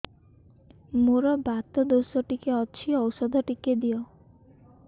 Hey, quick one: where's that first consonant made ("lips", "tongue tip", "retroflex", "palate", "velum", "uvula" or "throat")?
lips